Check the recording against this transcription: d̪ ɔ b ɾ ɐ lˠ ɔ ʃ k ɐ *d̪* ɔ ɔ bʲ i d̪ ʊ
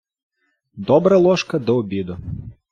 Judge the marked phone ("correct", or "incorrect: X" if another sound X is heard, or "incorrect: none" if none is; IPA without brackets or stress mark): correct